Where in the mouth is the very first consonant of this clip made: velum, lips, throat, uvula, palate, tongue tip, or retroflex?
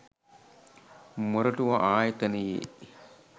lips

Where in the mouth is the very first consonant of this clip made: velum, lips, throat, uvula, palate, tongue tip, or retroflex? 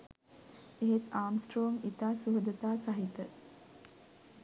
throat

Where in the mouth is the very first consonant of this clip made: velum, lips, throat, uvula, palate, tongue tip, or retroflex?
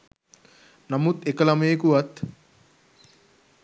tongue tip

